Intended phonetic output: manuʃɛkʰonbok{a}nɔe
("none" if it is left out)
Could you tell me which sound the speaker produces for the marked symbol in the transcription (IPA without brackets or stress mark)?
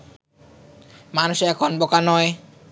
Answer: a